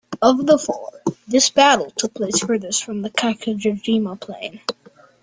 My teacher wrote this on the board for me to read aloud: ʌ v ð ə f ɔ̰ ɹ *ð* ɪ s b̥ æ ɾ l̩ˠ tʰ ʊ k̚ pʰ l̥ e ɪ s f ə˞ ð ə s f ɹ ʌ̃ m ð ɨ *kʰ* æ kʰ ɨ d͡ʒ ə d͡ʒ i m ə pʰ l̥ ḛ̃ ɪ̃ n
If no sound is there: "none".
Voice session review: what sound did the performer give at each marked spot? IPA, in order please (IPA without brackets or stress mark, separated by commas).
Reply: ð, kʰ